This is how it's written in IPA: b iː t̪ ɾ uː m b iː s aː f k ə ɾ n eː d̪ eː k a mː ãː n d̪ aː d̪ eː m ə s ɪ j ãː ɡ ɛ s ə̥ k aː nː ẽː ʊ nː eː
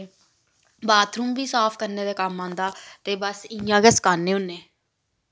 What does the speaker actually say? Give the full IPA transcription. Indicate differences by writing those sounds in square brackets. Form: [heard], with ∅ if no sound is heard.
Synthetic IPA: b [aː] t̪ ɾ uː m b iː s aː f k ə ɾ n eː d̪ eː k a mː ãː n d̪ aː [t̪] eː [b] ə s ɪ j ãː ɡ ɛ s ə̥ k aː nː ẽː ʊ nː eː